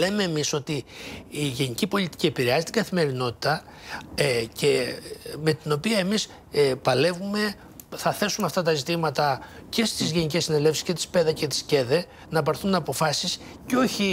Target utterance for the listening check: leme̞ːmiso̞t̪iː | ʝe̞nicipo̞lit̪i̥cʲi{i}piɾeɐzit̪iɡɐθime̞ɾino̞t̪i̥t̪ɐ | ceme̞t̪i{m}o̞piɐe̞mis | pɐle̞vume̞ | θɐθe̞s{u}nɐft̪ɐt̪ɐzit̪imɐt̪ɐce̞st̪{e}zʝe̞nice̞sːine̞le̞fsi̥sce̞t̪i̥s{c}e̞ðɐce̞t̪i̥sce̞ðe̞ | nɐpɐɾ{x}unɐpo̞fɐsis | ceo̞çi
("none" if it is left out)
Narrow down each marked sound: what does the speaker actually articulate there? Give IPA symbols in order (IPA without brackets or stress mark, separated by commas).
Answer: e, n, u, i, p, θ